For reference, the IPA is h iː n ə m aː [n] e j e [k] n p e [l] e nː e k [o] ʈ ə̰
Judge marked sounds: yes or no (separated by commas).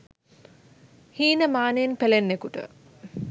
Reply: yes, no, yes, no